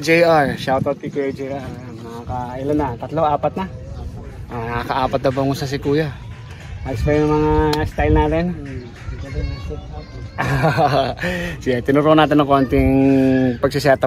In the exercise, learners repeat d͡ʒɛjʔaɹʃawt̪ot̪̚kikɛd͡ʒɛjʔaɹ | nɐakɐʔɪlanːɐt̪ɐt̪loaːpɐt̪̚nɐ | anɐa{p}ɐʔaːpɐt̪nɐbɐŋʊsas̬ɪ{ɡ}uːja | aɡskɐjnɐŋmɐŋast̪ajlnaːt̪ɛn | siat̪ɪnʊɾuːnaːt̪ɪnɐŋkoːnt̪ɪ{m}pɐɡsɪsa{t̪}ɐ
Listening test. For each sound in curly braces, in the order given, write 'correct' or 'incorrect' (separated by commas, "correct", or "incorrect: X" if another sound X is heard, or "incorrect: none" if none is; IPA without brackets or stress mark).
incorrect: k, incorrect: k, incorrect: ŋ, correct